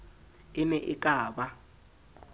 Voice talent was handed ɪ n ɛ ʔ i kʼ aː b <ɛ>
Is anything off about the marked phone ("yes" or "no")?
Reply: yes